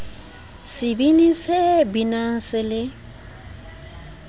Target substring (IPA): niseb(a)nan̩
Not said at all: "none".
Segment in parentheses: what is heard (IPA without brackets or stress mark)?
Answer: i